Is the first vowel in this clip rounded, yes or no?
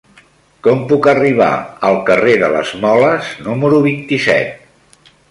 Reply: yes